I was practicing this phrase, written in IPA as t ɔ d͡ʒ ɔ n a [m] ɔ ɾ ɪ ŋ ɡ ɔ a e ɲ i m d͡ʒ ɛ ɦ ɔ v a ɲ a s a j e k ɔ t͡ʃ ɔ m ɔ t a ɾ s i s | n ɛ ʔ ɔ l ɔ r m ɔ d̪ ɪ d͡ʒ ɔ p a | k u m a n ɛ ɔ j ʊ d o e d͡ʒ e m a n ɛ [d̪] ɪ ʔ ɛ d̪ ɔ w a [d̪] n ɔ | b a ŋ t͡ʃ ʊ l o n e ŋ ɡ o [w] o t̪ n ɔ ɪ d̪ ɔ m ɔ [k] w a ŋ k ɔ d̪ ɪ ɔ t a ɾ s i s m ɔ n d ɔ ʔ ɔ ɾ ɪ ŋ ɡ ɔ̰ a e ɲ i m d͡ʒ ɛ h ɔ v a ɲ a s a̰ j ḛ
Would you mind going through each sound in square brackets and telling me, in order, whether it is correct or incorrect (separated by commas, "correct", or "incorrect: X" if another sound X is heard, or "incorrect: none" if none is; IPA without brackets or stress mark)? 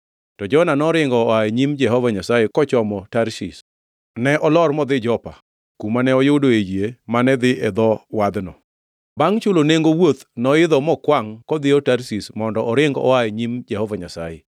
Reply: incorrect: n, correct, correct, correct, correct